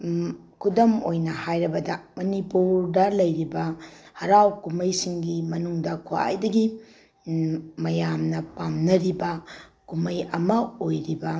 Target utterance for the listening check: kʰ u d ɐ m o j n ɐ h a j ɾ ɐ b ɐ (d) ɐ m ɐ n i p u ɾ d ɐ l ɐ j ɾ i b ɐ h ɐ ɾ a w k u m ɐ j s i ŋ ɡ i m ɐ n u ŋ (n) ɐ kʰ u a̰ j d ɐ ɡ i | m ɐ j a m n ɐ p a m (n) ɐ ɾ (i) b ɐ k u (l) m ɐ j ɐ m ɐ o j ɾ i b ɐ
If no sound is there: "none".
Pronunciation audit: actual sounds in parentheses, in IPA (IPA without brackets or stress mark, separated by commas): d, d, n, i, none